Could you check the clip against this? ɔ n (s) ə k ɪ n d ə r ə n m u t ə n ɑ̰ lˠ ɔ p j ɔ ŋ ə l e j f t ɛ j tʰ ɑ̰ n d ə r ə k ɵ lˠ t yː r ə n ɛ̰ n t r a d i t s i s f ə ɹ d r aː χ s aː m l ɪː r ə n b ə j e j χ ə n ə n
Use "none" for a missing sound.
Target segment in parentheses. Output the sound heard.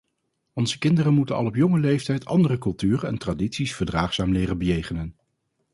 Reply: z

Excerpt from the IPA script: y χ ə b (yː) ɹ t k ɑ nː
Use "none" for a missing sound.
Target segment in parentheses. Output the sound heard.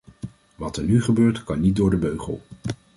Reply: øː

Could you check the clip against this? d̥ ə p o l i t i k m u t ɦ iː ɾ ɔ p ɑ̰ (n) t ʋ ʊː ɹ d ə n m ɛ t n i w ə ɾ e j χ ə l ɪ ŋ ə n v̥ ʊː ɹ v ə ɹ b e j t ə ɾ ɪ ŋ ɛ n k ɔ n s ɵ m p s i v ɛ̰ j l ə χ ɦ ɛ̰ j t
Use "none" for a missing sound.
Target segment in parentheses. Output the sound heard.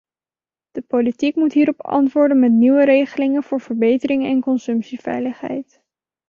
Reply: n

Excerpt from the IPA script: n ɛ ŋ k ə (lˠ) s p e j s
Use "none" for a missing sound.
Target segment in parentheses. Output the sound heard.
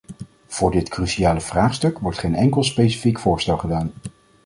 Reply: lˠ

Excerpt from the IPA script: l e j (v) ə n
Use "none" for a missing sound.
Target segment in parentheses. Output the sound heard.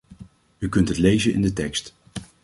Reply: z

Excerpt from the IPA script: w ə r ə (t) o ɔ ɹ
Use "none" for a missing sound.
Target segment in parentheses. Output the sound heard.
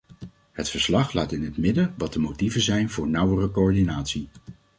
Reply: k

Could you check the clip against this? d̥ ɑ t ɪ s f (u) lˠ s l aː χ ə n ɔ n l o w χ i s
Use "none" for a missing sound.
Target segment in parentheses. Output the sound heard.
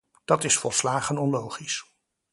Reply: ɔ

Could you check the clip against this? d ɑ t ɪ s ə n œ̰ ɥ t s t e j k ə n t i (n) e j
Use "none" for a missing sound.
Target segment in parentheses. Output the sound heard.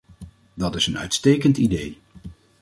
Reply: d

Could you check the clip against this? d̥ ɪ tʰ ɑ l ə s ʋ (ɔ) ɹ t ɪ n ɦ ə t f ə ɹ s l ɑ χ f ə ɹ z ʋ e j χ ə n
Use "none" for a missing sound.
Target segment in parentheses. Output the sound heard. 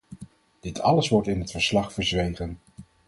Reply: ɔ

